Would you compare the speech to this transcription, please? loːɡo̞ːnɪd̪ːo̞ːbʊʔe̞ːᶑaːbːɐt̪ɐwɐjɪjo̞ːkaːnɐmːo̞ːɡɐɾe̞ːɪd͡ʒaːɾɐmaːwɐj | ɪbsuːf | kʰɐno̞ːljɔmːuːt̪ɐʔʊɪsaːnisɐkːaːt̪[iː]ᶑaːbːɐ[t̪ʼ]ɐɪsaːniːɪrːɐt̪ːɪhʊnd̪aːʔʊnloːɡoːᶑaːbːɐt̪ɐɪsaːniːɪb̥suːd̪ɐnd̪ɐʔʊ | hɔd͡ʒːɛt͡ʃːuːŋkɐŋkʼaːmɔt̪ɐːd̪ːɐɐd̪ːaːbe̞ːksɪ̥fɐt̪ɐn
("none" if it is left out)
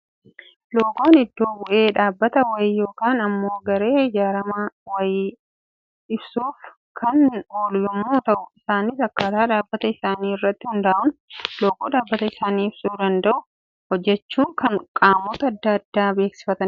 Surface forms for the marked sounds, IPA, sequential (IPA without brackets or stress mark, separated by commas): aː, t̪